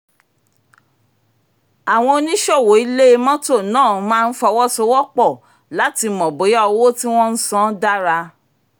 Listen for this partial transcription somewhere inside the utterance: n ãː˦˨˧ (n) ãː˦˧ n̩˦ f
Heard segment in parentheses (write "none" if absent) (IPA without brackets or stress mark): m